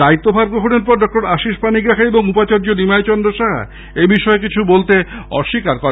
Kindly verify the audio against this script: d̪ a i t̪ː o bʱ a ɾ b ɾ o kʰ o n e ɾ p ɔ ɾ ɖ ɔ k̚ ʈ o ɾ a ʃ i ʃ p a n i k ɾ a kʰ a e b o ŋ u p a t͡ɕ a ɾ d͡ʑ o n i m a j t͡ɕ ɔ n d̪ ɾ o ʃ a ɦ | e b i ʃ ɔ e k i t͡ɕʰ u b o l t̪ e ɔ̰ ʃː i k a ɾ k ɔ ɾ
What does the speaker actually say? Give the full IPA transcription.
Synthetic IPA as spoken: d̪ a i t̪ː o bʱ a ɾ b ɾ o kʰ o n e ɾ p ɔ ɾ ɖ ɔ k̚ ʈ o ɾ a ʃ i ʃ p a n i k ɾ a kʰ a e b o ŋ u p a t͡ɕ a ɾ d͡ʑ o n i m a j t͡ɕ ɔ n d̪ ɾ o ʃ a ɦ | e b i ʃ ɔ e k i t͡ɕʰ u b o l t̪ e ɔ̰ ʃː i k a ɾ k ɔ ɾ